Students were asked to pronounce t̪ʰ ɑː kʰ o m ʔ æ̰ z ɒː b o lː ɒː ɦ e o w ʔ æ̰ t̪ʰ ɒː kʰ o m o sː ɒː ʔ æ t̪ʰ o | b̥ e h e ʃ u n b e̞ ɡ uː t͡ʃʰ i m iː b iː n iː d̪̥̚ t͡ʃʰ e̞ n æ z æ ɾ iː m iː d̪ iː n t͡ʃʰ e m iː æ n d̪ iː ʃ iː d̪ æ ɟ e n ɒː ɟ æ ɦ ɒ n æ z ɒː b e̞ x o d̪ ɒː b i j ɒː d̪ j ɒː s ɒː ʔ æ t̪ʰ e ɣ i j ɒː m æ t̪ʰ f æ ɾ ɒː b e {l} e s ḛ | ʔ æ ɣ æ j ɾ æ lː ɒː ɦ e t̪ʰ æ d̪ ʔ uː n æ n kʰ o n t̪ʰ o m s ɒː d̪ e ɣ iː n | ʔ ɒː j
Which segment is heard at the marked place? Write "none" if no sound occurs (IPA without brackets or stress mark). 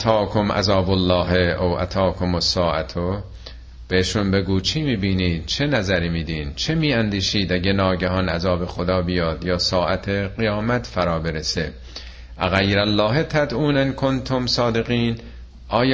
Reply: ɾ